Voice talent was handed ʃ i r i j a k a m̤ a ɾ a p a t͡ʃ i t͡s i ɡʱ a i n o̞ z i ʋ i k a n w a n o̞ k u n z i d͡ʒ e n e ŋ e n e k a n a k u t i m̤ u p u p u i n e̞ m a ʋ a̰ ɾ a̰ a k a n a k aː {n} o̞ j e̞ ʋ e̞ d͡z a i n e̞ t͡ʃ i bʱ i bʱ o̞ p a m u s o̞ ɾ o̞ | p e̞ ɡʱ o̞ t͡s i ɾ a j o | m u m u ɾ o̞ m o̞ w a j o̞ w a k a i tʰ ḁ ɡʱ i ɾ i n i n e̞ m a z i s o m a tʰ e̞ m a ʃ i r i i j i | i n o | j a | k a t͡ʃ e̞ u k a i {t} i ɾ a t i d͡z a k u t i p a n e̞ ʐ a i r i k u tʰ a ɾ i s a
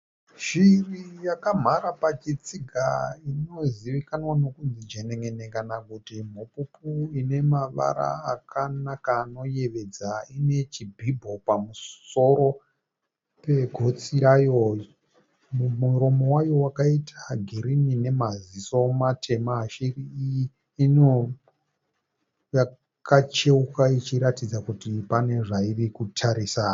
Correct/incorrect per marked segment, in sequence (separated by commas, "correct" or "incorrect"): correct, incorrect